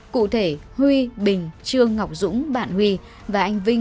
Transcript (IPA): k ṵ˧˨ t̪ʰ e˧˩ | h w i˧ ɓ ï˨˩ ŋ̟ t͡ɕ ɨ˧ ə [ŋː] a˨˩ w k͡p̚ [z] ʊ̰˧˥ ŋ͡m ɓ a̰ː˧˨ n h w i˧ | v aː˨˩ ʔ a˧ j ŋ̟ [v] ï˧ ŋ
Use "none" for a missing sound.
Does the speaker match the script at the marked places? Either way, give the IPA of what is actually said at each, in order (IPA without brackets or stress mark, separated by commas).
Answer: ŋː, z, v